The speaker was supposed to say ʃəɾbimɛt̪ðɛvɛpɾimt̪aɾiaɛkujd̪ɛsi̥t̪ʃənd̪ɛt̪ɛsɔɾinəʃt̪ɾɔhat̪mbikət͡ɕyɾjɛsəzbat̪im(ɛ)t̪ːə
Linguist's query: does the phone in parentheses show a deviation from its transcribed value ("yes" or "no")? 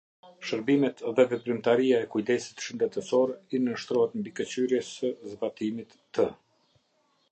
yes